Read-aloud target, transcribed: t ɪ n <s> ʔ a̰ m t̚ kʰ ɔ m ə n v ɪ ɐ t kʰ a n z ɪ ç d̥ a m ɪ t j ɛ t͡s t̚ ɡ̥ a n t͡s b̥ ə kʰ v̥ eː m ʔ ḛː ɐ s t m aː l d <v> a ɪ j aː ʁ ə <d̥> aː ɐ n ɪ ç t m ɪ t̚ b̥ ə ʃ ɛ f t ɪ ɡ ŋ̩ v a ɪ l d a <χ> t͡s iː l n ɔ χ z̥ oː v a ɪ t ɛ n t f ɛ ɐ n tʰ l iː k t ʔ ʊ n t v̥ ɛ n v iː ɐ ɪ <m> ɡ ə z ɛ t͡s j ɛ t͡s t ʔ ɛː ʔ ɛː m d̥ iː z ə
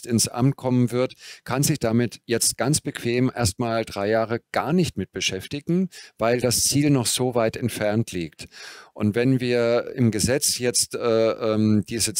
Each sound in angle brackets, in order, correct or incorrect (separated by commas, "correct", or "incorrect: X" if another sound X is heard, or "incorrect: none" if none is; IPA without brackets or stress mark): correct, incorrect: ʁ, incorrect: ɡ̥, incorrect: s, correct